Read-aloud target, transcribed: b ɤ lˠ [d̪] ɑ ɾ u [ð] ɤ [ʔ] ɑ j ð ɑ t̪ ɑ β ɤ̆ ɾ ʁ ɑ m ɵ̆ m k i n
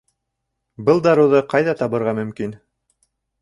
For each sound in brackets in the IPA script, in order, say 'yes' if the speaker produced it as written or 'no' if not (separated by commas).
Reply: yes, yes, no